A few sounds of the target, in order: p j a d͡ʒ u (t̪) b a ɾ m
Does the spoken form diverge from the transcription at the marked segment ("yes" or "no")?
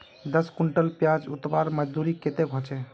no